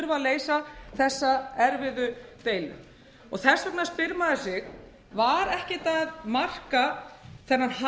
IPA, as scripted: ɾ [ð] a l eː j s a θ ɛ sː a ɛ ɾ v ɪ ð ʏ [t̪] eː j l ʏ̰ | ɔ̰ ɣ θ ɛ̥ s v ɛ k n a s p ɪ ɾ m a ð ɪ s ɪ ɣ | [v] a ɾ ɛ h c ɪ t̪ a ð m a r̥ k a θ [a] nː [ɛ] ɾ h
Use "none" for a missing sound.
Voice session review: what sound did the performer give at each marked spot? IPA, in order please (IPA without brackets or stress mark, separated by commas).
v, t̪, v, ɛ, a